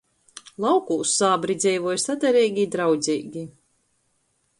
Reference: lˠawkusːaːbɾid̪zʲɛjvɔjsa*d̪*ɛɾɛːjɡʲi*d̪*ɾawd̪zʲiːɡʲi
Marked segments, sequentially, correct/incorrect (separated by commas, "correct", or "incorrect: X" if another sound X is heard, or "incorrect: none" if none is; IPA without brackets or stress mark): correct, correct